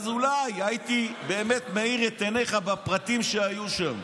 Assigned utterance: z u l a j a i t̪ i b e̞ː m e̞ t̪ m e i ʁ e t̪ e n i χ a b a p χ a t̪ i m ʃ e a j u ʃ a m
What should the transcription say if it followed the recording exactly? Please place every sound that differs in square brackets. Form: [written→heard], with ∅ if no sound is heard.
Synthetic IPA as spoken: z u l a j a i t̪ i b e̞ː m e̞ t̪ m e i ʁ e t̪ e n [i→e] χ a b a p [χ→ʁ] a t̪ i m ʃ e a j u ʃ a m

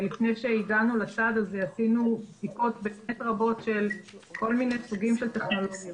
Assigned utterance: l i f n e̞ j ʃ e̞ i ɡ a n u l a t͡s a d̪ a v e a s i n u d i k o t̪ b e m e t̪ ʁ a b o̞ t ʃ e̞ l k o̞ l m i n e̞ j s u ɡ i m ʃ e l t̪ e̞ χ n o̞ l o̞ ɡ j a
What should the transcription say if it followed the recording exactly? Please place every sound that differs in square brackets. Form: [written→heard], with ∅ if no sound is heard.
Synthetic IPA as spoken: l i f n e̞ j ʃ e̞ i ɡ a n u l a t͡s a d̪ a [v→z] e a s i n u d i k o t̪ b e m e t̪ ʁ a b o̞ t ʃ e̞ l k o̞ l m i n e̞ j s u ɡ i m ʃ e l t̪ e̞ χ n o̞ l o̞ ɡ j a

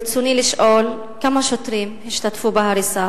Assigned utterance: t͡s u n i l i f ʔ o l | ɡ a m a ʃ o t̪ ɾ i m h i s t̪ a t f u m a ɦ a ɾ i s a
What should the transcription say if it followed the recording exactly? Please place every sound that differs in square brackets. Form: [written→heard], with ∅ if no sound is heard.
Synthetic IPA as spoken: t͡s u n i l i [f→ʃ] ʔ o l | [ɡ→k] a m a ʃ o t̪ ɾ i m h i [s→ʃ] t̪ a t f u [m→b] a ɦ a ɾ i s a

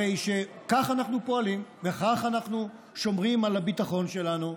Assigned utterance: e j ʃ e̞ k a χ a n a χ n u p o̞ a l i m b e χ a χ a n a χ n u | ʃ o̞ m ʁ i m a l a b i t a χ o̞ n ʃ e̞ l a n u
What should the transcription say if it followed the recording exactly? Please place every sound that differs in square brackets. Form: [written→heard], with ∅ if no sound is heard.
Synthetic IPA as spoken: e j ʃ e̞ k a χ a n a χ n u p o̞ a l i m [b→v] e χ a χ a n a χ n u | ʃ o̞ m ʁ i m a l a b i t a χ o̞ n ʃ e̞ l a n u

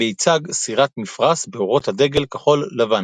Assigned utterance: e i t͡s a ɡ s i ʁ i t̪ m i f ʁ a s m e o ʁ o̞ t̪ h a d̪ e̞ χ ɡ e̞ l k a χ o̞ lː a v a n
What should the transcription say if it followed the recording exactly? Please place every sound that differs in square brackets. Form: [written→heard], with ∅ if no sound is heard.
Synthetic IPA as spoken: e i t͡s a ɡ s i ʁ [i→a] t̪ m i f ʁ a s [m→b] e o ʁ o̞ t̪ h a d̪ e̞ [χ→∅] ɡ e̞ l k a χ o̞ lː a v a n

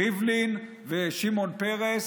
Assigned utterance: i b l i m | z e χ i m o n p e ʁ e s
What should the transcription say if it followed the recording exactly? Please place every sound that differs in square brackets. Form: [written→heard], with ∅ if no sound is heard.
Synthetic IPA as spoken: i [b→v] l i [m→n] | [z→v] e [χ→ʃ] i m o n p e ʁ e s

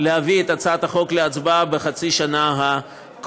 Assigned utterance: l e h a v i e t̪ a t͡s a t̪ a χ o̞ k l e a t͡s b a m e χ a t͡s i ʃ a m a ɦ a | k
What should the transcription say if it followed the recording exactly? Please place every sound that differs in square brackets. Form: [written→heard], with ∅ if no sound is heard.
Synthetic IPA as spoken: l e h a v i e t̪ a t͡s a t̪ a χ o̞ k l e a t͡s b a [m→b] e χ a t͡s i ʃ a [m→n] a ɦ a | k

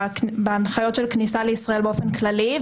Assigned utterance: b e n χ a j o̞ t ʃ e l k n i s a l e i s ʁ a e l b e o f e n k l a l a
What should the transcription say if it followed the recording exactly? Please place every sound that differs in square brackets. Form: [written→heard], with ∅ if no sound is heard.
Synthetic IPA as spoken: b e n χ a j o̞ t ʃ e l k n i s a l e i s ʁ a e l b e o f e n k l a l [a→i]

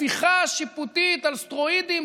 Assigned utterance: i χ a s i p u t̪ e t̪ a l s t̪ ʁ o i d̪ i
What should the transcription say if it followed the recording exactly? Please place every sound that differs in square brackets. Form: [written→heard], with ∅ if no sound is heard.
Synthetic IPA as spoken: i χ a [s→ʃ] i p u t̪ [e→i] t̪ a l s t̪ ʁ o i d̪ i

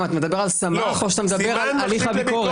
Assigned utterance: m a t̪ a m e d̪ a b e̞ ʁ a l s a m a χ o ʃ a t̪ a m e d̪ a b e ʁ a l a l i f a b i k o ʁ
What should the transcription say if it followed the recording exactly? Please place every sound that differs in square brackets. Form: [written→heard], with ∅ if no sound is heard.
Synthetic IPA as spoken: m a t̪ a m e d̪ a b e̞ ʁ a l s a m a χ o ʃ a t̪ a m e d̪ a b e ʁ a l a l i [f→χ] a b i k o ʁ

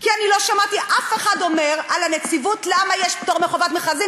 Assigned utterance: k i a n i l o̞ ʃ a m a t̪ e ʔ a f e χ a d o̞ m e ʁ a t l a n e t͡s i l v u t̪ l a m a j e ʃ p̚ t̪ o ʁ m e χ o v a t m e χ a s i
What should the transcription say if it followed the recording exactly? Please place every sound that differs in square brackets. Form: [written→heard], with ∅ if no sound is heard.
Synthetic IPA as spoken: k i a n i l o̞ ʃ a m a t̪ [e→i] ʔ a f e χ a d o̞ m e ʁ a [t→∅] l a n e t͡s i [l→∅] v u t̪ l a m a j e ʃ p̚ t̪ o ʁ m e χ o v a t m e χ a [s→z] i

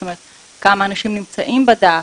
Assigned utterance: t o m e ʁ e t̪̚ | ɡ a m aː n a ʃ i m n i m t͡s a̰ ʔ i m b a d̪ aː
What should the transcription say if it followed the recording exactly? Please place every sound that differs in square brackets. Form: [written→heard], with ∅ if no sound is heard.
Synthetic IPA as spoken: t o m e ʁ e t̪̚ | [ɡ→k] a m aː n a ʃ i m n i m t͡s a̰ ʔ i m b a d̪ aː

